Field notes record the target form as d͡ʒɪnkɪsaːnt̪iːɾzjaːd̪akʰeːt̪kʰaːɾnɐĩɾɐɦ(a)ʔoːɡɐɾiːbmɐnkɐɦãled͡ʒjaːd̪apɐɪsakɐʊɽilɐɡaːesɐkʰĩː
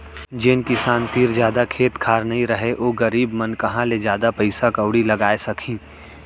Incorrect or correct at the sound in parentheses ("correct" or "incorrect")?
incorrect